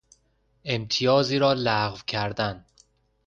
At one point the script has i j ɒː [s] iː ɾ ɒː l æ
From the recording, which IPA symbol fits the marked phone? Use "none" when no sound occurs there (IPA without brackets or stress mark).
z